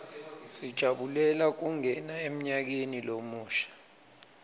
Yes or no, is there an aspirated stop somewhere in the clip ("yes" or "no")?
no